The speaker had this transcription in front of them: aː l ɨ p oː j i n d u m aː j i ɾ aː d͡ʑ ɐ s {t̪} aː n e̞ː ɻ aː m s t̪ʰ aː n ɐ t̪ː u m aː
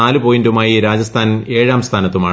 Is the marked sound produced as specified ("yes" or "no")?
no